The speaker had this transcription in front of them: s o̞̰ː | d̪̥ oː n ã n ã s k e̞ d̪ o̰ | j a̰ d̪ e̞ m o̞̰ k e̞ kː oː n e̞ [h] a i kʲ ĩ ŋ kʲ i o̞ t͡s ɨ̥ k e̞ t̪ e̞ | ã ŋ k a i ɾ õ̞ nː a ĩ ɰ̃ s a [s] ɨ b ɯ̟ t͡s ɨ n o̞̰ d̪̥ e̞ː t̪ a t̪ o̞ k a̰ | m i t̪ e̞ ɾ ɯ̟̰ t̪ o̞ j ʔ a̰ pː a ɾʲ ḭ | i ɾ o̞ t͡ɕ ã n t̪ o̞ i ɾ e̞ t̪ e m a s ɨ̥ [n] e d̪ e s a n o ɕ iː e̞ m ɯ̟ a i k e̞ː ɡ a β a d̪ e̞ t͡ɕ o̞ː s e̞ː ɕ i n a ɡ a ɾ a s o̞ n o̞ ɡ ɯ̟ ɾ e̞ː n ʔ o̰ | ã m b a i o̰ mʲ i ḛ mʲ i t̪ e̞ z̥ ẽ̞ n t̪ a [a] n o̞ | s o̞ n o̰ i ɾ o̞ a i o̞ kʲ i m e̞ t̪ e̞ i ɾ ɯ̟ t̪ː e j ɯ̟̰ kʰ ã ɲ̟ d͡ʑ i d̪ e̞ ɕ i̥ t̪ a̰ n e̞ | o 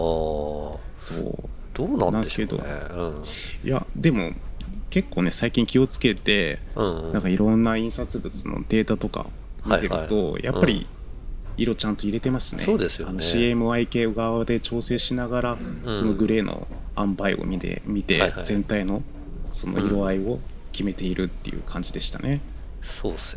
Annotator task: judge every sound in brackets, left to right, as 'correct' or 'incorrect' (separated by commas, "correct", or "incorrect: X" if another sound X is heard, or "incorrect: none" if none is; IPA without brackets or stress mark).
incorrect: s, incorrect: t͡s, correct, incorrect: i